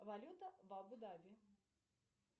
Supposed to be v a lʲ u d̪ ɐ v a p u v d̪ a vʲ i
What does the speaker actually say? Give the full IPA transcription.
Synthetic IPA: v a lʲ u t̪ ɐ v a b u d̪ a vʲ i

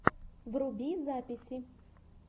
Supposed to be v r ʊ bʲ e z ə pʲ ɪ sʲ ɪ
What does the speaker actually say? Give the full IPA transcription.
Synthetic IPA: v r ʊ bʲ i z a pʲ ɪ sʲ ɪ

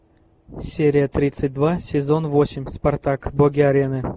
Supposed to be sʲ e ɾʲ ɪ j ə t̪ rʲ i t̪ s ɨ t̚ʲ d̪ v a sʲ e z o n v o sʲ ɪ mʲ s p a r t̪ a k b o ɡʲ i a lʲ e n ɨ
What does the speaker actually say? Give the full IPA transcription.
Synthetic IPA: sʲ e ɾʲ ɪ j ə t̪ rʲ i t̪ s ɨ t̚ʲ d̪ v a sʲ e z o n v o sʲ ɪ mʲ s p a r t̪ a k b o ɡʲ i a ɾʲ e n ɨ

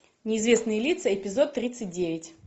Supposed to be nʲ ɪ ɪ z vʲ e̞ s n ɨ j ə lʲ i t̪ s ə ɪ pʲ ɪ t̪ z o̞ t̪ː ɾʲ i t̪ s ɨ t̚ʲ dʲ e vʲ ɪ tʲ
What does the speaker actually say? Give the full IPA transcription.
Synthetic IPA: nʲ ɪ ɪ z vʲ e̞ s n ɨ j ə lʲ i t̪ s ə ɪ pʲ ɪ z o̞ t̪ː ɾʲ i t̪ s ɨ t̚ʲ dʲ e vʲ ɪ tʲ

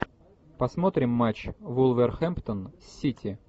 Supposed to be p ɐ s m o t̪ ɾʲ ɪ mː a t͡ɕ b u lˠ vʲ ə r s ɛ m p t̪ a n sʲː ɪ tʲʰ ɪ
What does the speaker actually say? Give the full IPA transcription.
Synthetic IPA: p ɐ s m o t̪ ɾʲ ɪ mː a t͡ɕ v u lˠ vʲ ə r x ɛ m p t̪ ə n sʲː i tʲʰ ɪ

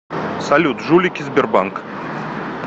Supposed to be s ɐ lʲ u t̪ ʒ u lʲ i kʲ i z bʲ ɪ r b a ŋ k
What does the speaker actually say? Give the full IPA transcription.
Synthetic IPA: s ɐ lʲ u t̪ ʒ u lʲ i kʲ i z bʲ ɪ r b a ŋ k

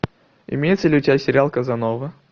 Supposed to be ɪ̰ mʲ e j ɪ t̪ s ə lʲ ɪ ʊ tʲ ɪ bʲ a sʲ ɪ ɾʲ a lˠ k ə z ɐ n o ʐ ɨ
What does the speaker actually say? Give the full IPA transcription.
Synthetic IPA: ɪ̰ mʲ e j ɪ t̪ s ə lʲ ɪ ʊ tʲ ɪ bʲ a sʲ ɪ ɾʲ a lˠ k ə z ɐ n o v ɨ

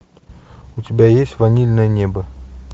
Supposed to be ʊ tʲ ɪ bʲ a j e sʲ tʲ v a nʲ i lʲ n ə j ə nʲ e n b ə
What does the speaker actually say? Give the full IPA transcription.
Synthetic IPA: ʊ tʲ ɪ bʲ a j e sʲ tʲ v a nʲ i lʲ n ə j ə nʲ e b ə

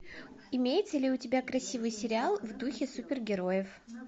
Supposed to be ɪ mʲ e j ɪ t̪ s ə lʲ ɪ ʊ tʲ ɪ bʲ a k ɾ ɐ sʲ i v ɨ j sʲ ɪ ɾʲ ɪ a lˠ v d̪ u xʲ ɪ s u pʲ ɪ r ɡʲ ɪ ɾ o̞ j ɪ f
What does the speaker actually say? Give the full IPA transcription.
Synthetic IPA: ɪ mʲ e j ɪ t̪ s ə lʲ ɪ ʊ tʲ ɪ bʲ a k ɾ ɐ sʲ i v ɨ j sʲ ɪ ɾʲ ɪ a lˠ v d̪ u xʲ ɪ s u pʲ ɪ r ɡʲ ɪ ɾ o̞ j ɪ f

